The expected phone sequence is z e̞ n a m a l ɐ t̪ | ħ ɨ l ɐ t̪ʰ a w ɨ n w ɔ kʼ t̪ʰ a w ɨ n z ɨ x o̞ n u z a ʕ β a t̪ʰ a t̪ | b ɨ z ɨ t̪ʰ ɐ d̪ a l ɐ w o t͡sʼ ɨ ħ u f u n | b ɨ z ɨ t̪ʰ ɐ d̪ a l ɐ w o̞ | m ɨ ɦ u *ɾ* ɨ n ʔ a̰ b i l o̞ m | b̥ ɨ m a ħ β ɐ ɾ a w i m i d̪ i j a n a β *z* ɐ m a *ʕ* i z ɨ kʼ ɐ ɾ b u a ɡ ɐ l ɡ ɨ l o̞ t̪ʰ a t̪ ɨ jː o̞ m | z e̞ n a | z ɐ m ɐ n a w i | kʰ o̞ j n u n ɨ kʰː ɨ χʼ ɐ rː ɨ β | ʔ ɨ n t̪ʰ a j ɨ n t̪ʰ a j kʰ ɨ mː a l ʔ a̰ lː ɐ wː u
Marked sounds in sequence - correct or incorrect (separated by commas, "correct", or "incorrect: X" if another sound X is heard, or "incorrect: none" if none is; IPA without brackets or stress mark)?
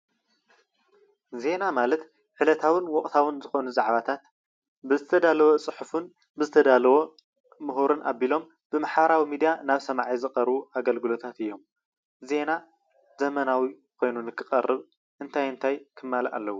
correct, incorrect: s, correct